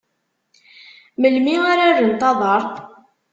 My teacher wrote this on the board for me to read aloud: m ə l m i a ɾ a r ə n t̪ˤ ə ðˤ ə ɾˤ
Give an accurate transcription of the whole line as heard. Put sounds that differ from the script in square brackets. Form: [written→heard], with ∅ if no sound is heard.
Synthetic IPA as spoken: m ə l m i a ɾ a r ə n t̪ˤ [ə→ɑ] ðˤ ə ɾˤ